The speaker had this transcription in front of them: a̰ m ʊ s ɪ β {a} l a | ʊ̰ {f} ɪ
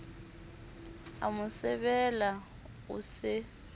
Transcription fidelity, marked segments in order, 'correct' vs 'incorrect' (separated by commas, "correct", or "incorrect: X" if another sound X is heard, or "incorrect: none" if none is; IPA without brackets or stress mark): incorrect: ɛ, incorrect: s